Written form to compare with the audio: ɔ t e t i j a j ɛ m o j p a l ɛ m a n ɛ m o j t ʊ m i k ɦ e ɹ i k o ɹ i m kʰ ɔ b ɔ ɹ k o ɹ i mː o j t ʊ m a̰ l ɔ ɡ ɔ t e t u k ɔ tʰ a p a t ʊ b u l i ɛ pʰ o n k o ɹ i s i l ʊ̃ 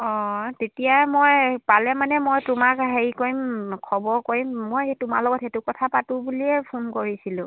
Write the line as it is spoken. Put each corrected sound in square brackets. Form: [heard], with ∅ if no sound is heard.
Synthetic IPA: ɔ t e t i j a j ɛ m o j p a l ɛ m a n ɛ m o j t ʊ m [a] k ɦ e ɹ i k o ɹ i m kʰ ɔ b ɔ ɹ k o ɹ i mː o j t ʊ m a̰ l ɔ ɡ ɔ t e t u k ɔ tʰ a p a t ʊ b u l i ɛ pʰ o n k o ɹ i s i l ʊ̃

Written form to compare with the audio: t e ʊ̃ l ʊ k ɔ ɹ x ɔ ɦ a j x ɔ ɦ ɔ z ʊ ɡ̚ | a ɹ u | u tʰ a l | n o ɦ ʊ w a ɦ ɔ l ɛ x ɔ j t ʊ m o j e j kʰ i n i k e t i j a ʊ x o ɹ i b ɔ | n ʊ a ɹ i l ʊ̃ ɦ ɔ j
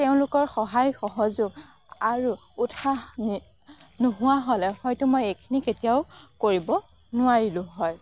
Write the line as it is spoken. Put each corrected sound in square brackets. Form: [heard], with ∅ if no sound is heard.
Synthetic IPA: t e ʊ̃ l ʊ k ɔ ɹ x ɔ ɦ a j x ɔ ɦ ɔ z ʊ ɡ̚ | a ɹ u | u tʰ a [∅] | n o ɦ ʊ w a ɦ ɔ l ɛ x ɔ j t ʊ m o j e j kʰ i n i k e t i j a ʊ [k] o ɹ i b ɔ | n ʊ a ɹ i l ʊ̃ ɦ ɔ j

